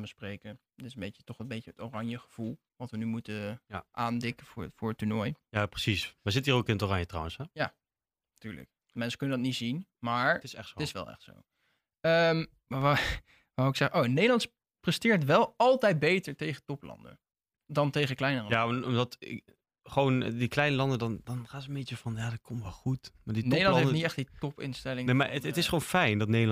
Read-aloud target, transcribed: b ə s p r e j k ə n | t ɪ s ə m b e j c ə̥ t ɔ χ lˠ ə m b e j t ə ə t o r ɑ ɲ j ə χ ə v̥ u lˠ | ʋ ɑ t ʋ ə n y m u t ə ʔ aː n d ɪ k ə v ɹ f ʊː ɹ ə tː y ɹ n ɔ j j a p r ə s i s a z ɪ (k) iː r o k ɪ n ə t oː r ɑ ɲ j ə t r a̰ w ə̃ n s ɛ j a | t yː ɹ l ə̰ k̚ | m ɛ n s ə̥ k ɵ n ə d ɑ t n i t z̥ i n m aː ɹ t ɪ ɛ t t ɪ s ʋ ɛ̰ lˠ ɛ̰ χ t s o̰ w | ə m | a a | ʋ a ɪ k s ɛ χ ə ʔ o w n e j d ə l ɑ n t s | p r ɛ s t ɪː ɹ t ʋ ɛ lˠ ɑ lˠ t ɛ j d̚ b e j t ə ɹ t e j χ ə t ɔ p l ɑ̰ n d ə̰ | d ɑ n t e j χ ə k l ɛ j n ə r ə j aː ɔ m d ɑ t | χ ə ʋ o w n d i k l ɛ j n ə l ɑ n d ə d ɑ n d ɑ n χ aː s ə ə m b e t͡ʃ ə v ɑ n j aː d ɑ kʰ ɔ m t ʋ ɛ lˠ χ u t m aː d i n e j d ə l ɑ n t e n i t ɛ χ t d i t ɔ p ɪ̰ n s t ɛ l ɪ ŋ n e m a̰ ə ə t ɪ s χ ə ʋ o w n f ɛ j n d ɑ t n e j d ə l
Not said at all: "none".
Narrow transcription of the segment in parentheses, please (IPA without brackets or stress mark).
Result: t